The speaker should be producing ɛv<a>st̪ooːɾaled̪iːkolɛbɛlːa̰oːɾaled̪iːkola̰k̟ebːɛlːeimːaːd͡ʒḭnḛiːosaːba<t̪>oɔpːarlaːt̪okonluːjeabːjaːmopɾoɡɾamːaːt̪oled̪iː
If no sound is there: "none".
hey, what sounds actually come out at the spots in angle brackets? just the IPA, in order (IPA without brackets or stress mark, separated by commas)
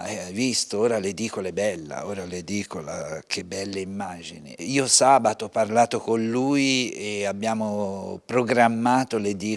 i, t̪